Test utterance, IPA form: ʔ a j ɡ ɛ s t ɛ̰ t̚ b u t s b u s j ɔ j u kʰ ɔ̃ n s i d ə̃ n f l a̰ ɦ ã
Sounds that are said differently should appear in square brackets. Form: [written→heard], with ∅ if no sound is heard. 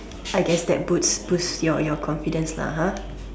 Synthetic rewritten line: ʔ a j ɡ ɛ s [t→d] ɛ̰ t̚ b u t s b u s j ɔ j [u→ɔ] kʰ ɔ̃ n [s→f] i d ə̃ n [f→s] l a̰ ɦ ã